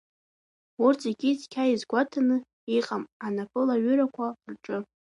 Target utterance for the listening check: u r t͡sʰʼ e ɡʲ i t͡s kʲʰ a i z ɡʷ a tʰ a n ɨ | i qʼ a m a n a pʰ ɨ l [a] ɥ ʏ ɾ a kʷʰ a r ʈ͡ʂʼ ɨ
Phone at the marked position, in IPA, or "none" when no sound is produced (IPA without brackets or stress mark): a